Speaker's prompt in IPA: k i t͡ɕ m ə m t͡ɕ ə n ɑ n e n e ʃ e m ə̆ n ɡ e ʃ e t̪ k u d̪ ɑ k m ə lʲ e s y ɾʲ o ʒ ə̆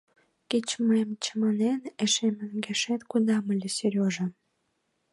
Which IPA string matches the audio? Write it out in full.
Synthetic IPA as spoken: k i t͡ɕ m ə m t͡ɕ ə m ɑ n e n e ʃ e m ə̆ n ɡ e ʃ e t̪ k u d̪ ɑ m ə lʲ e s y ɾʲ o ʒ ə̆